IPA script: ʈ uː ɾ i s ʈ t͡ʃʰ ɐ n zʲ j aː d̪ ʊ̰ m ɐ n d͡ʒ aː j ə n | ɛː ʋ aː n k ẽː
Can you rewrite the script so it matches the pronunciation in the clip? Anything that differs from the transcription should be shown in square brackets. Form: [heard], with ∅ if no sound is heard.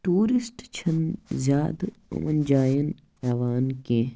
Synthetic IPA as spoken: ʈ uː ɾ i s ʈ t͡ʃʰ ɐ n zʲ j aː d̪ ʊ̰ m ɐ n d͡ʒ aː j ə n | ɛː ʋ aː n k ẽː